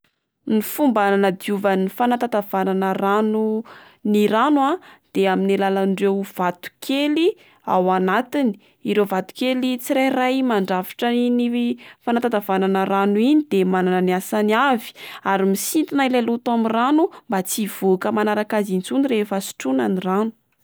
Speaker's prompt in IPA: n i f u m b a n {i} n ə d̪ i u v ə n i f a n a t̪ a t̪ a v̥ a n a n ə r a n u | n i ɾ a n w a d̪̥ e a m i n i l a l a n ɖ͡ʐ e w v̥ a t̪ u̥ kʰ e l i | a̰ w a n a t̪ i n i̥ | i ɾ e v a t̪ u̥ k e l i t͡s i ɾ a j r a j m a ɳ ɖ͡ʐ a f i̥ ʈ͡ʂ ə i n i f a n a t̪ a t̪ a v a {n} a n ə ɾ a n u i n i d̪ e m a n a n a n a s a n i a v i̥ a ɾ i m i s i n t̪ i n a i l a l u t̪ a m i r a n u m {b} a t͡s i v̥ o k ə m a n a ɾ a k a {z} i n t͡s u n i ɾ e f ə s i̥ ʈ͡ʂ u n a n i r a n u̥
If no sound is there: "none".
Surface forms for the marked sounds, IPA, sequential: a, n, b, z

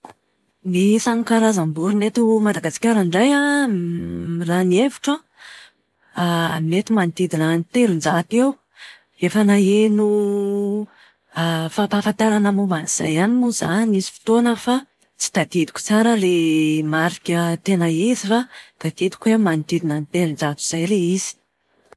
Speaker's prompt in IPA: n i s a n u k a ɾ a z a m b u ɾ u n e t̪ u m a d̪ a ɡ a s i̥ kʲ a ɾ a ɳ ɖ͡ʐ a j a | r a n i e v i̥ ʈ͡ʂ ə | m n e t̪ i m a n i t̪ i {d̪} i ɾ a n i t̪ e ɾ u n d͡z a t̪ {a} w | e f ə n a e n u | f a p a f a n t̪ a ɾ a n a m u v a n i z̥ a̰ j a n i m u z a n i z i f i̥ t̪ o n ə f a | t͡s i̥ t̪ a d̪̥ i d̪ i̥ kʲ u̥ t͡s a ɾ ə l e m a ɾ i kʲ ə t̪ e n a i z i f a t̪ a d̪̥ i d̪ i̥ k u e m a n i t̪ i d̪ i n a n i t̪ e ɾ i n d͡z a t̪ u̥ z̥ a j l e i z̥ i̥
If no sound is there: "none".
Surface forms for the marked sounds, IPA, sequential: d̪, e

